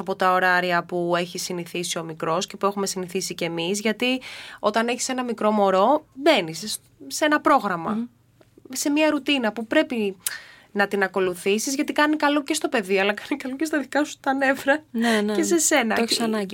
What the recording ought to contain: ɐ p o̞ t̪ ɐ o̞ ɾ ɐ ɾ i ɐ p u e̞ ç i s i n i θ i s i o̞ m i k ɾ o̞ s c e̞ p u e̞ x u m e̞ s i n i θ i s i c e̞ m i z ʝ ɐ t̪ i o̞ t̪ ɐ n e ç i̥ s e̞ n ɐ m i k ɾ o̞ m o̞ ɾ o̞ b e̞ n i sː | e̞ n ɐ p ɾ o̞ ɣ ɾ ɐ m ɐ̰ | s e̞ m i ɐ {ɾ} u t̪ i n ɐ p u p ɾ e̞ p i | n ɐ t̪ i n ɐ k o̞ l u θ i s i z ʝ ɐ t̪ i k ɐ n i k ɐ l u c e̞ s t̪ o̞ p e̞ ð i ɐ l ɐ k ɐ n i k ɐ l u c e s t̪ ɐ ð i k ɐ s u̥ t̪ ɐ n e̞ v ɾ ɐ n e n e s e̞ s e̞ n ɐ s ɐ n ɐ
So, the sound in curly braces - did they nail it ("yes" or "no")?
yes